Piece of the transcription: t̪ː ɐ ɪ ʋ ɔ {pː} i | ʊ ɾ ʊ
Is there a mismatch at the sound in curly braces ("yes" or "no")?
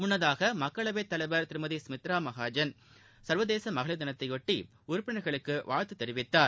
yes